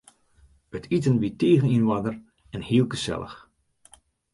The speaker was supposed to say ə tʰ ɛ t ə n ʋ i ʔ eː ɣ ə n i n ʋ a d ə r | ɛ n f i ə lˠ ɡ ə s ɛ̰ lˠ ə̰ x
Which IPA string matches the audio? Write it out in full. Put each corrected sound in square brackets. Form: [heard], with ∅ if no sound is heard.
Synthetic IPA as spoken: ə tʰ [i] t ə n ʋ i [t] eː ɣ ə n i n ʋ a d ə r | ɛ n [h] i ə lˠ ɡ ə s ɛ̰ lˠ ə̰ x